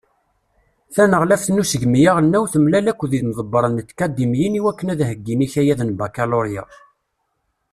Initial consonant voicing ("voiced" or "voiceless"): voiceless